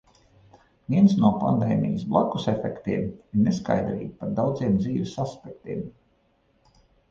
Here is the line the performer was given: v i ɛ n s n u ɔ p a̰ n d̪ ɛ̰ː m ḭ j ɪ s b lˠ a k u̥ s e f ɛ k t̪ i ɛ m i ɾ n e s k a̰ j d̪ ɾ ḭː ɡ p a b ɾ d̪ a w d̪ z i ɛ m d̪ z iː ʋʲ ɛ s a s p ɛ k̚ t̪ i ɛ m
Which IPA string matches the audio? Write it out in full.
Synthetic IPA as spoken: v i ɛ n s n u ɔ p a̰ n d̪ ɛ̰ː m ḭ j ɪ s b lˠ a k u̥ s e f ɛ k t̪ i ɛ m i ɾ n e s k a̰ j d̪ ɾ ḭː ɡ p a ɾ d̪ a w d̪ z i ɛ m d̪ z iː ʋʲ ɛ s a s p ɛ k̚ t̪ i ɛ m